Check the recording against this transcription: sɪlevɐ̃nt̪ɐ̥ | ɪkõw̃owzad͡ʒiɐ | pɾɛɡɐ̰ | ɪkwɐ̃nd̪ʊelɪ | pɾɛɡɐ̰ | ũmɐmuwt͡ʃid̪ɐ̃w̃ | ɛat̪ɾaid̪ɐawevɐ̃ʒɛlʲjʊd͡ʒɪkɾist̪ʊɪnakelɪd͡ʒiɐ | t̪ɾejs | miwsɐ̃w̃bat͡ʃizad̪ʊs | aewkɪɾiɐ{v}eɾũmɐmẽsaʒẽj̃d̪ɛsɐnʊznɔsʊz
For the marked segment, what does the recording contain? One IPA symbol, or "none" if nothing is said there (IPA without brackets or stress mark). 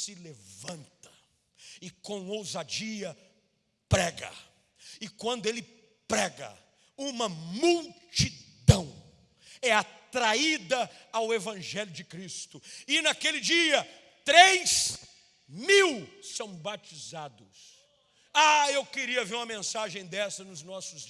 v